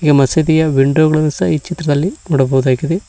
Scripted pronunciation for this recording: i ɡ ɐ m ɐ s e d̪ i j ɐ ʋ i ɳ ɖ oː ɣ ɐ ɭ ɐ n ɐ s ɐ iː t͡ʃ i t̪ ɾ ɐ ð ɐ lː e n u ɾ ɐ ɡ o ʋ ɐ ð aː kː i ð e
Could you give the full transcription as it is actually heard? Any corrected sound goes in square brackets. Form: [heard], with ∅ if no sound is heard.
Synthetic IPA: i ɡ ɐ m ɐ s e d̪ i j ɐ ʋ i ɳ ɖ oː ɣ ɐ ɭ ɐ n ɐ s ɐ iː t͡ʃ i t̪ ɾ ɐ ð ɐ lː [i] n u [ɽ] ɐ [b] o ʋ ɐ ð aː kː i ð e